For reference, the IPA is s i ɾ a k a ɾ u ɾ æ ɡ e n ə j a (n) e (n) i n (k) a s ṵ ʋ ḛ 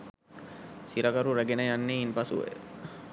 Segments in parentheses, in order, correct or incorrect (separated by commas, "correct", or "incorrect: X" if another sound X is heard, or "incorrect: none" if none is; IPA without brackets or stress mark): incorrect: nː, incorrect: none, incorrect: p